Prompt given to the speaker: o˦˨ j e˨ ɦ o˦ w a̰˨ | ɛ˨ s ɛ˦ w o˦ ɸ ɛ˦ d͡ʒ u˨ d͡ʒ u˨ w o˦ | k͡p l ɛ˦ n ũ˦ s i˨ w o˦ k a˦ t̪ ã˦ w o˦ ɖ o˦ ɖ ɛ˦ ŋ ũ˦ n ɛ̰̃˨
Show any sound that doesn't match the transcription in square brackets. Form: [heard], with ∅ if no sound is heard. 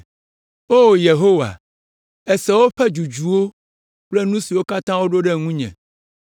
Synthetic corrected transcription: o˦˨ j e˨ ɦ o˦ w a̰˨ | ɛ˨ s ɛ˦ w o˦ ɸ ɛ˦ d͡ʒ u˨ d͡ʒ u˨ w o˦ | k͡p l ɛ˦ n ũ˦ s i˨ w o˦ k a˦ t̪ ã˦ w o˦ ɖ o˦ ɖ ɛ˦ ŋ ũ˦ [ɲ] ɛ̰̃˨